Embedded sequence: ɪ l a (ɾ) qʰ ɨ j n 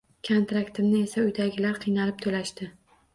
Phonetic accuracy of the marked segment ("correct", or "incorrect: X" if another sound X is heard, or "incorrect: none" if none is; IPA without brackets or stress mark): correct